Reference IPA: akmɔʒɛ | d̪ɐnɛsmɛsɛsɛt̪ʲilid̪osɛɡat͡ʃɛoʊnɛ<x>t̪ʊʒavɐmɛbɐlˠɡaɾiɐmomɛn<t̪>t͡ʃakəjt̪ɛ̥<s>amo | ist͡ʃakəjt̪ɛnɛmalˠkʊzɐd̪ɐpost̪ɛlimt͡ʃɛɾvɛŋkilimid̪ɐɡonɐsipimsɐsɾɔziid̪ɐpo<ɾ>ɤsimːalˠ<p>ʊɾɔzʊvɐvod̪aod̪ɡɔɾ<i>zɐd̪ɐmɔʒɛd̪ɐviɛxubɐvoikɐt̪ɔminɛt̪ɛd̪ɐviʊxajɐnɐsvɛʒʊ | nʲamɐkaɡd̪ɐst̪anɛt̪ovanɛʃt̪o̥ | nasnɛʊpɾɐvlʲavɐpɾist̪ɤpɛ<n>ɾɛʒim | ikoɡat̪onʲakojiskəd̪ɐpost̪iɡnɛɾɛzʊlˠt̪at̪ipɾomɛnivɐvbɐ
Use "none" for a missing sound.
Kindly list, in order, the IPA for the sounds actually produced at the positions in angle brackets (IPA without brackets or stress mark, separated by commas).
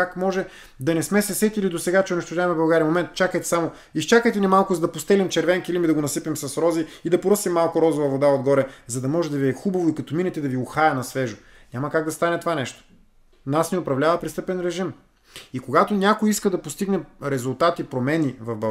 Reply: ʃ, t̪, s, ɾ, k, ɛ, n